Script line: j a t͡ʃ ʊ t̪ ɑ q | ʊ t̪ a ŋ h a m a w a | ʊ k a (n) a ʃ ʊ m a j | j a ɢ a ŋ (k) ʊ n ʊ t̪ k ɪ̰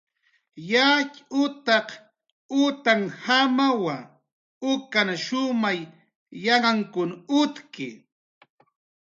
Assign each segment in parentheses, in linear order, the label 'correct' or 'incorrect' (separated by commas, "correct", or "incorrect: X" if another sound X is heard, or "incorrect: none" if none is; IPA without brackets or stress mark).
correct, correct